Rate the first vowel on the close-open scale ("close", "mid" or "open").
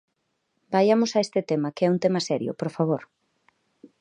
open